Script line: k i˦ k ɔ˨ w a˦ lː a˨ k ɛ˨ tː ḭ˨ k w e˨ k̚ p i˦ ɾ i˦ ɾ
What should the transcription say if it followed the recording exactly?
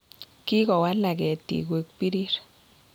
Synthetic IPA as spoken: k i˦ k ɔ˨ w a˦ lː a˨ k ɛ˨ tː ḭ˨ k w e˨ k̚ p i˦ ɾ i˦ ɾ